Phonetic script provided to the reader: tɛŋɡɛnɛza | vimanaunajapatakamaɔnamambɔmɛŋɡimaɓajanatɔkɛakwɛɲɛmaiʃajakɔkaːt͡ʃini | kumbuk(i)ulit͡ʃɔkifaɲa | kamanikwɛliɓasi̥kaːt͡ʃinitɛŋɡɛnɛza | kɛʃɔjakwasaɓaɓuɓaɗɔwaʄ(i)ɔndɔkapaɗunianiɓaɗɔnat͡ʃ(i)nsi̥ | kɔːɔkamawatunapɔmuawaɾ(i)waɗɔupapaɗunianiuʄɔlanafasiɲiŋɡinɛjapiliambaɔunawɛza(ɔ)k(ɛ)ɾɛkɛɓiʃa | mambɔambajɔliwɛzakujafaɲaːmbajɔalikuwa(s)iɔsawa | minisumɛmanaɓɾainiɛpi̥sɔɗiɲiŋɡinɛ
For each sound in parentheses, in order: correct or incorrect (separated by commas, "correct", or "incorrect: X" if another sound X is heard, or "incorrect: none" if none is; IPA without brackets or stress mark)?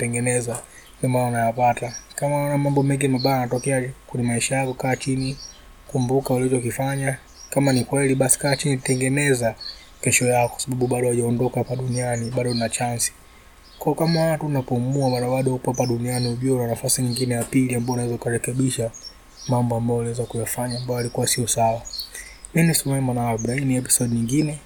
incorrect: a, incorrect: a, incorrect: a, incorrect: a, incorrect: u, incorrect: a, correct